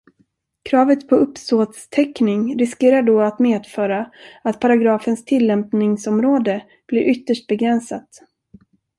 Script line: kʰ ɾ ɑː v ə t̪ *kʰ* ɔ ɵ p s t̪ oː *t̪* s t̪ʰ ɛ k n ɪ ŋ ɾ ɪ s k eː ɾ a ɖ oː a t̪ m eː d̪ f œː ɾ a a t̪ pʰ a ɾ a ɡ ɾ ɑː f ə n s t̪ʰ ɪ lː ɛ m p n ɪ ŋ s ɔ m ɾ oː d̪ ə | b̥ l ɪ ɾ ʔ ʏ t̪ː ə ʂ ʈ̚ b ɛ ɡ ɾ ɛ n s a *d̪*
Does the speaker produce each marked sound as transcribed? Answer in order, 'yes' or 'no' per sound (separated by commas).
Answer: no, yes, no